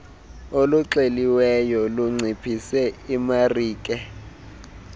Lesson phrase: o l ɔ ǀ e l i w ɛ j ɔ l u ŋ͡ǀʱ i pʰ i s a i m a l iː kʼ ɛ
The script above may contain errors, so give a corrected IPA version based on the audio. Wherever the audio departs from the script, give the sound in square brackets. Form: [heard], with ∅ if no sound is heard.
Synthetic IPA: o l [u] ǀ e l i w ɛ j ɔ l u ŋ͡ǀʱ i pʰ i s [ɛ] i m a [r] iː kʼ ɛ